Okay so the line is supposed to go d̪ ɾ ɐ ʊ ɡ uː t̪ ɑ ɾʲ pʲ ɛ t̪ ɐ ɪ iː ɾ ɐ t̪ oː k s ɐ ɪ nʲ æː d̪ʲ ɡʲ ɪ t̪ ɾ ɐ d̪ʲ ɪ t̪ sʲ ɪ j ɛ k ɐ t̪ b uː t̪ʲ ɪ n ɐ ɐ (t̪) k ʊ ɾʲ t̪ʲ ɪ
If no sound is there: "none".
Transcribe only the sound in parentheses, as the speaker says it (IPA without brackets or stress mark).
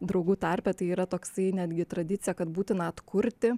t̪